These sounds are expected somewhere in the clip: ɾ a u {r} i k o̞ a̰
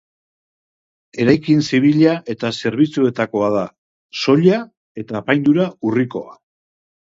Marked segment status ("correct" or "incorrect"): correct